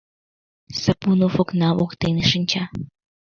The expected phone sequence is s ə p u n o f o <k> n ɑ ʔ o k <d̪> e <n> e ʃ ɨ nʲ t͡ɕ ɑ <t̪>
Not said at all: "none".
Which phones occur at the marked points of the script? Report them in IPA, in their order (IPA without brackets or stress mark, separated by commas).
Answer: k, t̪, n, none